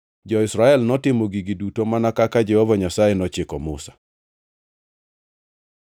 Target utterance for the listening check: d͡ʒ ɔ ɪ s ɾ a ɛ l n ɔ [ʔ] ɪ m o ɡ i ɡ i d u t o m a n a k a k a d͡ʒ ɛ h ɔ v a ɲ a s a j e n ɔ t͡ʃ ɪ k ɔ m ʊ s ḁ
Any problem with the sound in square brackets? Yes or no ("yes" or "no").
yes